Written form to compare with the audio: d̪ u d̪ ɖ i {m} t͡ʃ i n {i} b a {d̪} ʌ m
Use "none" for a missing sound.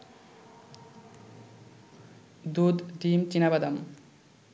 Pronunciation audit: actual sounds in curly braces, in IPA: m, a, d̪

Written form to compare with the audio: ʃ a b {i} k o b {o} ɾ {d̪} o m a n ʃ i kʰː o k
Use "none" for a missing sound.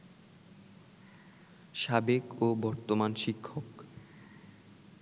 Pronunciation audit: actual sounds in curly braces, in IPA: e, ɔ, t̪

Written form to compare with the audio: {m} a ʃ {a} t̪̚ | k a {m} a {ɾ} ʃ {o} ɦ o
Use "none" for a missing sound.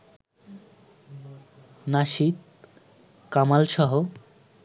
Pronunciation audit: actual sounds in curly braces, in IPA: n, i, m, l, ɔ

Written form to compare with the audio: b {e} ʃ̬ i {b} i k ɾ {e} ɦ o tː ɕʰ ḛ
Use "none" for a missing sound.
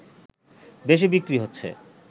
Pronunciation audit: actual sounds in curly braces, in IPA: e, b, i

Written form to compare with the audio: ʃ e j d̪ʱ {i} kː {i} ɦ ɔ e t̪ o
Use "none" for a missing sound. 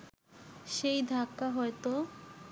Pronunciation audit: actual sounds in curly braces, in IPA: a, a

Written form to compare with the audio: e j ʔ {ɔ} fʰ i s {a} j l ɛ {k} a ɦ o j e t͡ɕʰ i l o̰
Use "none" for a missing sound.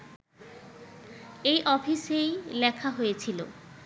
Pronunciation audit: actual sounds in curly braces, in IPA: ɔ, e, kʰ

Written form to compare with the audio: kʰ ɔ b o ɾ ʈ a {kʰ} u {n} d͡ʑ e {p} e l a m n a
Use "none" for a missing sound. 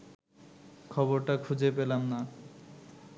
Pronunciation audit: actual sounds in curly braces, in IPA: kʰ, none, p

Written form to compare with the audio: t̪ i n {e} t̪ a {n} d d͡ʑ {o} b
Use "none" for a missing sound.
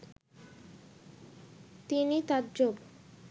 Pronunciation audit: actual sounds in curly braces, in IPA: i, none, o

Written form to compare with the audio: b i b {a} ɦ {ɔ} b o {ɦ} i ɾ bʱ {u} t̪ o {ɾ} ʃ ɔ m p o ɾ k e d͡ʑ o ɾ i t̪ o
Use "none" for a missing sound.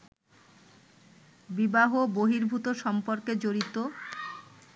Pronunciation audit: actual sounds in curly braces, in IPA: a, o, ɦ, u, none

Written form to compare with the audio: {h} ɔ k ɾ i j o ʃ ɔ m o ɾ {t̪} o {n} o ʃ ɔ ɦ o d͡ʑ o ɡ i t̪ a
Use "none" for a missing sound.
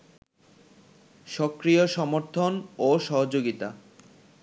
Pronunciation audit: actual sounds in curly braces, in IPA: ʃ, t̪ʰ, n

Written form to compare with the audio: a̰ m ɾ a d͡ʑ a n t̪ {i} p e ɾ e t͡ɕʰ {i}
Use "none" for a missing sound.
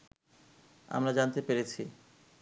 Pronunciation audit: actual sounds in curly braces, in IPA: e, i

